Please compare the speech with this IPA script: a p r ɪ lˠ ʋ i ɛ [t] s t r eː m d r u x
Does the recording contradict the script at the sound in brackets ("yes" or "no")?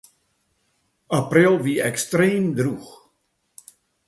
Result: yes